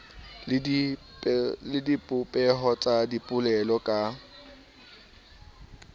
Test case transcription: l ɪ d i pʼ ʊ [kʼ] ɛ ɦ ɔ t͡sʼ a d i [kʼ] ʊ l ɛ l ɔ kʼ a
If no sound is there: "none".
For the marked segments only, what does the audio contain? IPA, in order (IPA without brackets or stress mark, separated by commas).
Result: pʼ, pʼ